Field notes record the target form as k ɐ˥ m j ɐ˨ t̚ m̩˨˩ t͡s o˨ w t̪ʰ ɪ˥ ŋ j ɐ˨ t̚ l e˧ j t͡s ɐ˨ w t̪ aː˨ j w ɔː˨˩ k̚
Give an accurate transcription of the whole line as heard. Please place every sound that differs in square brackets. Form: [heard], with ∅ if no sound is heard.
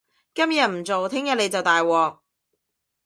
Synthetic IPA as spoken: k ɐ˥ m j ɐ˨ t̚ m̩˨˩ t͡s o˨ w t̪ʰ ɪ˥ ŋ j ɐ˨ t̚ l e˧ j t͡s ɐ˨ w t̪ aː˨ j w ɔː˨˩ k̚